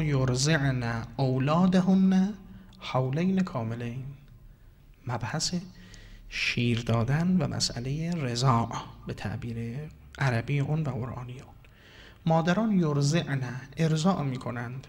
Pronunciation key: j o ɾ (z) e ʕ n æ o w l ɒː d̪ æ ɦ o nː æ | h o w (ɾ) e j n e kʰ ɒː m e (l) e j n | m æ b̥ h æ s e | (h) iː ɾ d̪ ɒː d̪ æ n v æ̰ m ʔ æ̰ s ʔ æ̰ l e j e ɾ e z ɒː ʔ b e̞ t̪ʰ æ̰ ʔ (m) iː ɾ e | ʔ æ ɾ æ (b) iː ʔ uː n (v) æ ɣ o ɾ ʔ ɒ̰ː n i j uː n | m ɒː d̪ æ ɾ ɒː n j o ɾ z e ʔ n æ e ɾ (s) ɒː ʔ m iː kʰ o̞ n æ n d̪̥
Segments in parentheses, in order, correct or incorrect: correct, incorrect, correct, incorrect, incorrect, correct, correct, incorrect

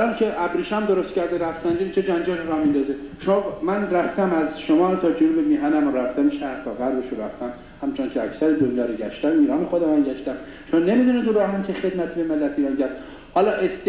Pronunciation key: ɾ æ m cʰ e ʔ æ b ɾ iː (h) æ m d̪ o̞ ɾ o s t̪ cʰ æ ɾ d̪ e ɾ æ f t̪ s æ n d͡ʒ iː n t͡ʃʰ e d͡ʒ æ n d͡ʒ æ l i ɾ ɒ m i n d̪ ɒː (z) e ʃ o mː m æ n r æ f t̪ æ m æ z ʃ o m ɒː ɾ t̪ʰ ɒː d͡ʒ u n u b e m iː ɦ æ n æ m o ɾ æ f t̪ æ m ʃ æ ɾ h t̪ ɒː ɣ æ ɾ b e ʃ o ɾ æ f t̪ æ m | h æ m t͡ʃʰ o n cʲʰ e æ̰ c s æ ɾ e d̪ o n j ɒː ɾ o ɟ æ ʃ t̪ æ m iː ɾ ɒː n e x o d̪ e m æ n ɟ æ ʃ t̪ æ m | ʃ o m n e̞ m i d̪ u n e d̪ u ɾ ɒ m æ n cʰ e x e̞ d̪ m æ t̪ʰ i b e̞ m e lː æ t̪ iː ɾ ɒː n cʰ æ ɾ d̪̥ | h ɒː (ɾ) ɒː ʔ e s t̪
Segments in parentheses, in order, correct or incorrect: incorrect, correct, incorrect

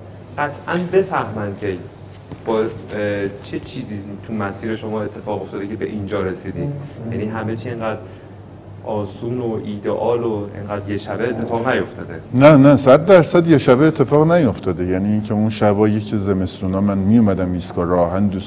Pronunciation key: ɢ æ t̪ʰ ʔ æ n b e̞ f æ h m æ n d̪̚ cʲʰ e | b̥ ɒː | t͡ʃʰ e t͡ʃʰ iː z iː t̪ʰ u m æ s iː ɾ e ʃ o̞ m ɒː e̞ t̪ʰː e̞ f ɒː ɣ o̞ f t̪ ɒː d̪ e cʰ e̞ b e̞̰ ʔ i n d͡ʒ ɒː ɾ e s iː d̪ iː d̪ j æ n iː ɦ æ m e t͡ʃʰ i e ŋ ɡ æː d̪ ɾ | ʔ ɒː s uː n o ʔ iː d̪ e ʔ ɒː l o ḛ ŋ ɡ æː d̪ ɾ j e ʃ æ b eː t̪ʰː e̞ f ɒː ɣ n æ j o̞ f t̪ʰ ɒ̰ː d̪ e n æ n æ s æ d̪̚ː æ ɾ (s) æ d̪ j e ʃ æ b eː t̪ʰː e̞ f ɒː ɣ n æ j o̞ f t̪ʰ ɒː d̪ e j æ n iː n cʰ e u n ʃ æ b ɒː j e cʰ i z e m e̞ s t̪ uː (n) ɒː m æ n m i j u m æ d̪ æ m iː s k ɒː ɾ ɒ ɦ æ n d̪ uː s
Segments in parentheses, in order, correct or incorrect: correct, correct

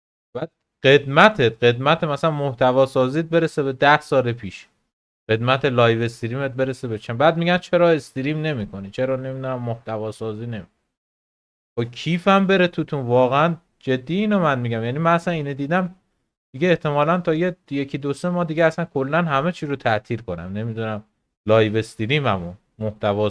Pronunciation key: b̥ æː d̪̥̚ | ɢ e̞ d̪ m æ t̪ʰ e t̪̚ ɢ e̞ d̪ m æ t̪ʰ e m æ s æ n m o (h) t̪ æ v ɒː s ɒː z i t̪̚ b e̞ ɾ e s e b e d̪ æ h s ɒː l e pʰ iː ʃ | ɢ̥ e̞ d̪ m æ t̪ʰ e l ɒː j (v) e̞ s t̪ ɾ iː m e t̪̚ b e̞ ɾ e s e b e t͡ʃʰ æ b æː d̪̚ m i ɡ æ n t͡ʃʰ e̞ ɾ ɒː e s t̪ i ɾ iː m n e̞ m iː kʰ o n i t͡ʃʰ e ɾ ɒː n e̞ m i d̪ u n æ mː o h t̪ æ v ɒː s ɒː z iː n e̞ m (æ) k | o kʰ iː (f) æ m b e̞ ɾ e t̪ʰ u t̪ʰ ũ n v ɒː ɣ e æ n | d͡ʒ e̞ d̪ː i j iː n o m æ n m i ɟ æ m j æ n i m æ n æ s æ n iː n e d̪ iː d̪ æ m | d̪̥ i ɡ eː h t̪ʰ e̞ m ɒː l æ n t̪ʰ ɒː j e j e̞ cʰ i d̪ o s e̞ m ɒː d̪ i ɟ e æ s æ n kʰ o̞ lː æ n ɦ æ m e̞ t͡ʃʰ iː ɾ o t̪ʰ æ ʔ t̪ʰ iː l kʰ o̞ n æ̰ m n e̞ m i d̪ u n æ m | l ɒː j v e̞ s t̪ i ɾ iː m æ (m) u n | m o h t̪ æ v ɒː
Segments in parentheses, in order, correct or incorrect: correct, correct, incorrect, correct, correct

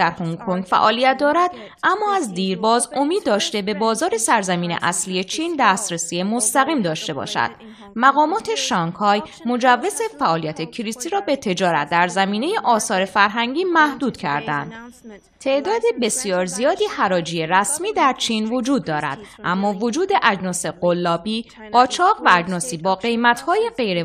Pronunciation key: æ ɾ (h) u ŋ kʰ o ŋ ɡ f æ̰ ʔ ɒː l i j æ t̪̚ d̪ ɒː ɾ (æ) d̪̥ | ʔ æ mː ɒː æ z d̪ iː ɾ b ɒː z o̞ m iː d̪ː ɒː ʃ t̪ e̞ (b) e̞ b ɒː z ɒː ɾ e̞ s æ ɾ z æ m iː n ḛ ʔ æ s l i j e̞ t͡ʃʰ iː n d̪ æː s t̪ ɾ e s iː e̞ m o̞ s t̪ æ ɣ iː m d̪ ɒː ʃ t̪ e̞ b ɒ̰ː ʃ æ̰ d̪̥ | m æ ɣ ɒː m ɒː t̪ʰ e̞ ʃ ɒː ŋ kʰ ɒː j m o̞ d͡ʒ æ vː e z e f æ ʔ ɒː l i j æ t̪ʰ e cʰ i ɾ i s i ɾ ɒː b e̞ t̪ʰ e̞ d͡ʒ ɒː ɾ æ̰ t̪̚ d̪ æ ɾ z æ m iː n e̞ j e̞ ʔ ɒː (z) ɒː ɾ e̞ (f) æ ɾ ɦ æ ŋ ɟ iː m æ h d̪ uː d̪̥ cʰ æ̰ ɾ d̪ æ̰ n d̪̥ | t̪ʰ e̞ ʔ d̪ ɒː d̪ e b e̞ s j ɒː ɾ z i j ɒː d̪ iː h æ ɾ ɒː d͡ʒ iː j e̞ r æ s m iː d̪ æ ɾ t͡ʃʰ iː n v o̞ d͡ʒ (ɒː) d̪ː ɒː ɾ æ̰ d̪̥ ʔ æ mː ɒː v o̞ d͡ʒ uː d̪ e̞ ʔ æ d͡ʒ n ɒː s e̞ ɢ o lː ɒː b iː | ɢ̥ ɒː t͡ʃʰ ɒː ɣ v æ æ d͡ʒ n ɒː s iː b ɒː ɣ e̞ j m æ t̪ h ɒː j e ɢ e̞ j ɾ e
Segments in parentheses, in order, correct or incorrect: correct, correct, correct, incorrect, correct, incorrect

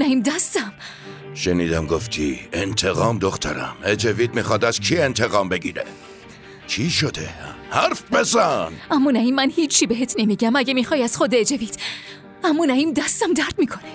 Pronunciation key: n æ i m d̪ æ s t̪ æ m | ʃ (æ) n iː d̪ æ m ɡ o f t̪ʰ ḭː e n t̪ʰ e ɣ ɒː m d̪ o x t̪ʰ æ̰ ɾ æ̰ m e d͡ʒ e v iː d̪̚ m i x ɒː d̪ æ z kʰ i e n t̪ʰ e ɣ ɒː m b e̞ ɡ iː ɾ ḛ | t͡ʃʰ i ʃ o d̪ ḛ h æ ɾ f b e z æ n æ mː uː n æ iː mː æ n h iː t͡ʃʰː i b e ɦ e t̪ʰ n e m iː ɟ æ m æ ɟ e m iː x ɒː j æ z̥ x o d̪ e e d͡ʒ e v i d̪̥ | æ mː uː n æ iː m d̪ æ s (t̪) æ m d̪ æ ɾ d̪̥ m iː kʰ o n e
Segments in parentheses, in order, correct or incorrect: incorrect, correct

